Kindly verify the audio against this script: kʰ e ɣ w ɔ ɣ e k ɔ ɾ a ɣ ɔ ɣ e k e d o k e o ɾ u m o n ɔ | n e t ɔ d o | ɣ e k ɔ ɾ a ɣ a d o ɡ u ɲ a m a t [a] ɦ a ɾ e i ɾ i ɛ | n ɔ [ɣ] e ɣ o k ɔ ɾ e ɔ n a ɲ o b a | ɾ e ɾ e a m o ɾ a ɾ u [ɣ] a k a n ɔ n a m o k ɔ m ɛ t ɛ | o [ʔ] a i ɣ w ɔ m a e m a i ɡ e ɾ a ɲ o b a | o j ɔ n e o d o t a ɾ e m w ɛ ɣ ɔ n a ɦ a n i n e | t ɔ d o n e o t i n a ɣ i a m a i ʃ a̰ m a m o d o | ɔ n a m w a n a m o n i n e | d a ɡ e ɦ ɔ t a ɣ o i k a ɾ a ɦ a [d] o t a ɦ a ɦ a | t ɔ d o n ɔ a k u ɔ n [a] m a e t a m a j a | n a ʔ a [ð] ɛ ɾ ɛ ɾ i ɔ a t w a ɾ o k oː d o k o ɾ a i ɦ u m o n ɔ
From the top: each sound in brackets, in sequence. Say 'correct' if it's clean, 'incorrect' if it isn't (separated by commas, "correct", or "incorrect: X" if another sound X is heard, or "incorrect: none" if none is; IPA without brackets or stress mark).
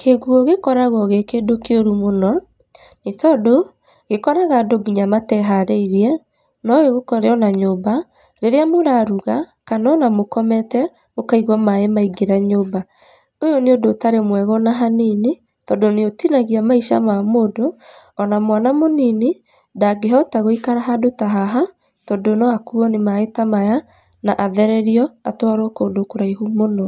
incorrect: ɛ, correct, correct, incorrect: k, correct, incorrect: e, correct